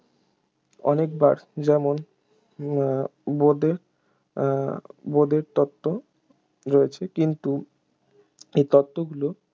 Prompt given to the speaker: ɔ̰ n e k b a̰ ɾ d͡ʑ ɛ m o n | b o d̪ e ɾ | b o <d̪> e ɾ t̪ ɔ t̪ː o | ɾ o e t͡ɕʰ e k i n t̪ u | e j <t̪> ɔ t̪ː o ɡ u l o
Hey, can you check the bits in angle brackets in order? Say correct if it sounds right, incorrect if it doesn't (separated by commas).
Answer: correct, correct